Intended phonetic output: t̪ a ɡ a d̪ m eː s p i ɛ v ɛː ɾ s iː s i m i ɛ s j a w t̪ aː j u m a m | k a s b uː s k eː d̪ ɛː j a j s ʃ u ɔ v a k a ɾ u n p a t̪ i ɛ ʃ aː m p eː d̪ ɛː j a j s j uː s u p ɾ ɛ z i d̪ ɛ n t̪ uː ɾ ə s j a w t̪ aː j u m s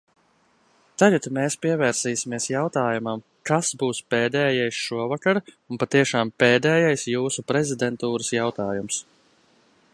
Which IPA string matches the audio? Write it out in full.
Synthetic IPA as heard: t̪ a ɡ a t̪ m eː s p i ɛ v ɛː ɾ s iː s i m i ɛ s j a w t̪ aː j u m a m | k a s b uː s p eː d̪ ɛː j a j s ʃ u ɔ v a k a ɾ u n p a t̪ i ɛ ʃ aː m p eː d̪ ɛː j a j s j uː s u p ɾ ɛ z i d̪ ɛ n t̪ uː ɾ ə s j a w t̪ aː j u m s